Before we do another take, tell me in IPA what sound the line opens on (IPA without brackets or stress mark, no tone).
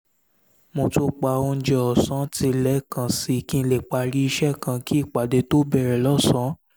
m